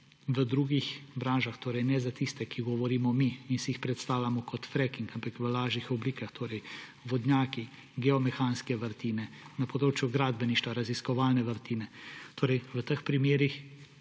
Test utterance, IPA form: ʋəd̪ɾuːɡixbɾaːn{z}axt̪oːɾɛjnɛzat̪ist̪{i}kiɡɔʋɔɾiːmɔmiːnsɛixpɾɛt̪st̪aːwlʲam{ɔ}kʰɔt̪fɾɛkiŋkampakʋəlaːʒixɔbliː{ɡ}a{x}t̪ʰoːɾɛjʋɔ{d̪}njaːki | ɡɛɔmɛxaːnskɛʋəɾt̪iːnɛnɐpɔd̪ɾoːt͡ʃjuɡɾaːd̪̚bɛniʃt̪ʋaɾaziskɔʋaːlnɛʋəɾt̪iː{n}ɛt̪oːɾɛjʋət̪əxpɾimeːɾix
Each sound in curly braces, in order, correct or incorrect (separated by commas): incorrect, incorrect, correct, incorrect, correct, correct, correct